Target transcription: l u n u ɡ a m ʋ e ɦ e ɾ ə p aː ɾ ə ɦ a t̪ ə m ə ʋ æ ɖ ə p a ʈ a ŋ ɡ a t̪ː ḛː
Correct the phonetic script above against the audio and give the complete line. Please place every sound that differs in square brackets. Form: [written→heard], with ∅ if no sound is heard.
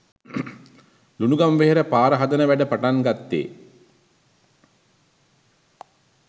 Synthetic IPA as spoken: l u n u ɡ a m ʋ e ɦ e ɾ ə p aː ɾ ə ɦ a [t̪→d̪] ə [m→n] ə ʋ æ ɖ ə p a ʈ a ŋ ɡ a t̪ː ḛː